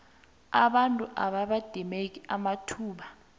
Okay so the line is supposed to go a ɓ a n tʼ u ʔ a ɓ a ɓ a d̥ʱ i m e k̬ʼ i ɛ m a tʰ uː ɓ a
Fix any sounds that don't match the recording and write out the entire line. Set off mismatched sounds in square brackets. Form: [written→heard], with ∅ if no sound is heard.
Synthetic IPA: a ɓ a n tʼ u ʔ a ɓ a ɓ a d̥ʱ i m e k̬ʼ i [ɛ→a] m a tʰ uː ɓ a